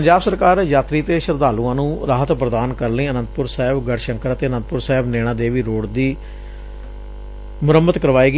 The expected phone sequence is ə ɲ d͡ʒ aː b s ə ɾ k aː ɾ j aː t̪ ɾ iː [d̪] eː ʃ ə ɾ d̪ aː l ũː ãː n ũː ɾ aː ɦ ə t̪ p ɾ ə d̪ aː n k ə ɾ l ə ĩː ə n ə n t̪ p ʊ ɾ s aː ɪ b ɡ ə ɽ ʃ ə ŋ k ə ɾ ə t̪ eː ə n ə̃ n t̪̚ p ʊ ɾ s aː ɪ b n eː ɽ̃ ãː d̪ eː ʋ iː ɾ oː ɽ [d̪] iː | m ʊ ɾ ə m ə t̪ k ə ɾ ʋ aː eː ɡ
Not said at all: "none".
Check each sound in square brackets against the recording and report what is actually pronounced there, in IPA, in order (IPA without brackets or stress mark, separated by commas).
t̪, d̪